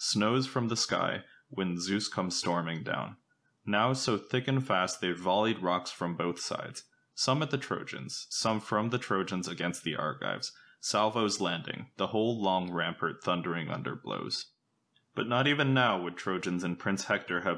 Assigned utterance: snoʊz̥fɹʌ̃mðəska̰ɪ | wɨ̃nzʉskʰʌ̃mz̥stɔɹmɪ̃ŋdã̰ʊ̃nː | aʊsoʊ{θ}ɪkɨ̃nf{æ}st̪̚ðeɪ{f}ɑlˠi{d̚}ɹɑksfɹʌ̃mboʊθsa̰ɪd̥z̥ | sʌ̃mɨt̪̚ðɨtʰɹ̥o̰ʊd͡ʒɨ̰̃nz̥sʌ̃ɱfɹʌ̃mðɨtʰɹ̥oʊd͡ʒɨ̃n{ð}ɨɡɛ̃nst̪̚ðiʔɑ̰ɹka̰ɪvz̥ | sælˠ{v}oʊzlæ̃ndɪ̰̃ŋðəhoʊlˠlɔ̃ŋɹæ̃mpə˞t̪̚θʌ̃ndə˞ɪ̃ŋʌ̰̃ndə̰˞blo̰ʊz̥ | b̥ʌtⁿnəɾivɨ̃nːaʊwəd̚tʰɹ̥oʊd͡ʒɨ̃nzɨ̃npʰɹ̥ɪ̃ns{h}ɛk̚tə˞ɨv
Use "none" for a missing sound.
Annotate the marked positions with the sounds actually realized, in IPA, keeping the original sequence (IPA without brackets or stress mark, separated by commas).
θ, æ, v, d̚, z, v, h